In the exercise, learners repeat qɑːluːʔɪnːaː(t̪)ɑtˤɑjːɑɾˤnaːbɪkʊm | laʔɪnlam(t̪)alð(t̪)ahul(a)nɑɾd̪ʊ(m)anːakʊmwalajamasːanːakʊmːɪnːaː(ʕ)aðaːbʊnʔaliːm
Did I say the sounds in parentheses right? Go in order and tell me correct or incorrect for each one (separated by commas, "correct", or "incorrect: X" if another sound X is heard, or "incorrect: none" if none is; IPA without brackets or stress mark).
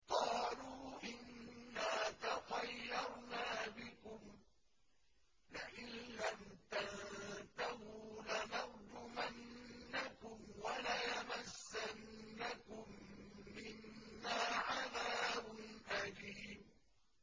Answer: correct, correct, correct, correct, correct, correct